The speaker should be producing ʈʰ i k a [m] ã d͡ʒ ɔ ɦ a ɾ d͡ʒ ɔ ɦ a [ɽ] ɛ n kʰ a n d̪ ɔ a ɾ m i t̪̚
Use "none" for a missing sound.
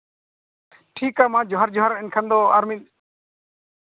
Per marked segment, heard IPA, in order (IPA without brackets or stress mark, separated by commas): m, ɾ